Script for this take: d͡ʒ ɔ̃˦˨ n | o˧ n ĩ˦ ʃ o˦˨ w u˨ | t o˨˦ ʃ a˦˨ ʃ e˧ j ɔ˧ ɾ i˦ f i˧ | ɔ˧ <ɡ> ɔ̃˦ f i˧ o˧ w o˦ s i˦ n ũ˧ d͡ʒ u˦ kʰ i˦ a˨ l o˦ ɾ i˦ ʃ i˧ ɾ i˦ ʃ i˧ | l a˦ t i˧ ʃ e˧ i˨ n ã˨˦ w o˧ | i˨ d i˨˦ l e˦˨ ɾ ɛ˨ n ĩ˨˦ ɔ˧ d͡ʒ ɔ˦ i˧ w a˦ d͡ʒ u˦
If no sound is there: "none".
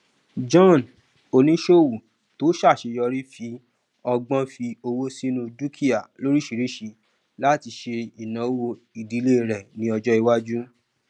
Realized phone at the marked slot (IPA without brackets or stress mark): ɡ͡b